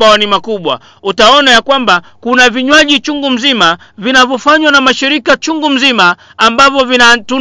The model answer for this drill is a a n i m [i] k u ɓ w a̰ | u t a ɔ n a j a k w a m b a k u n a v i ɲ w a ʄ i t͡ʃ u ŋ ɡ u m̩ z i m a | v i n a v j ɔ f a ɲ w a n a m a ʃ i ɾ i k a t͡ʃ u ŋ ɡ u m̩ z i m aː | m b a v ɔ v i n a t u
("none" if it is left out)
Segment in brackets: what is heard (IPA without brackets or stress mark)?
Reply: a